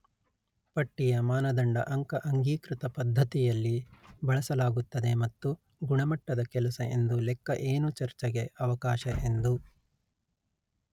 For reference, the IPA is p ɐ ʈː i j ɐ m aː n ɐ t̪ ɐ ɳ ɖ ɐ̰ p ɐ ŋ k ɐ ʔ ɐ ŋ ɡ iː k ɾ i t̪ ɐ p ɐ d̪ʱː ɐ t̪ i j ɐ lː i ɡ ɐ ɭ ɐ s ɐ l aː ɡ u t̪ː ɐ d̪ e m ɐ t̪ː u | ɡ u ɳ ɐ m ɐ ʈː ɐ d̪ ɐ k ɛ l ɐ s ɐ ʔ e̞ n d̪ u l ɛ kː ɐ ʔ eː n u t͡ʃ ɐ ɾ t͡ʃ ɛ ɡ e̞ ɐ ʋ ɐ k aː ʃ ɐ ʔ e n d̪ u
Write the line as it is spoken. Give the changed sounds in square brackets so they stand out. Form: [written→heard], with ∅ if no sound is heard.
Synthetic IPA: p ɐ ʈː i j ɐ m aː n ɐ [t̪→d̪] ɐ ɳ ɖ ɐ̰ [p→ʔ] ɐ ŋ k ɐ ʔ ɐ ŋ ɡ iː k ɾ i t̪ ɐ p ɐ d̪ʱː ɐ t̪ i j ɐ lː i [ɡ→b] ɐ ɭ ɐ s ɐ l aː ɡ u t̪ː ɐ d̪ e m ɐ t̪ː u | ɡ u ɳ ɐ m ɐ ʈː ɐ d̪ ɐ k ɛ l ɐ s ɐ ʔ e̞ n d̪ u l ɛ kː ɐ ʔ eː n u t͡ʃ ɐ ɾ t͡ʃ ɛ ɡ e̞ ɐ ʋ ɐ k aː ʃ ɐ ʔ e n d̪ u